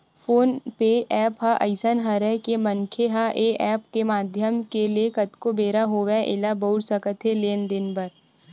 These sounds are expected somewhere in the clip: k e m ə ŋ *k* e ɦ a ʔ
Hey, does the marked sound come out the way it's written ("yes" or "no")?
no